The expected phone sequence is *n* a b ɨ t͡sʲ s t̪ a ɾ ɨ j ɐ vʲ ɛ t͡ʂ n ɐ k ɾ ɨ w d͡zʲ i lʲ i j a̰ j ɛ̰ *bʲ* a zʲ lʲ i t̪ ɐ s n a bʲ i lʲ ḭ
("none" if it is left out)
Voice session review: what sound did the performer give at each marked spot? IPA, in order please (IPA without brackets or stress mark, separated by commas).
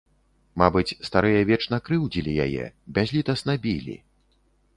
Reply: m, bʲ